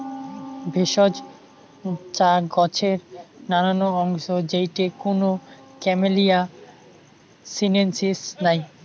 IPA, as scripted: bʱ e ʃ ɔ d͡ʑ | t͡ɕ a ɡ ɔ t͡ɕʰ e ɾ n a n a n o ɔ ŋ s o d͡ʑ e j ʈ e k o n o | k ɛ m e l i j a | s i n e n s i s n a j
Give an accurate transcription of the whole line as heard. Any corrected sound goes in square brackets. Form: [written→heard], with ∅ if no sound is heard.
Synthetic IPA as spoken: bʱ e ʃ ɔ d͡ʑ | t͡ɕ a ɡ ɔ t͡ɕʰ e ɾ n a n a n o ɔ ŋ [s→ʃ] o d͡ʑ e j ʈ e k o n o | k ɛ m e l i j a | s i n e n s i s n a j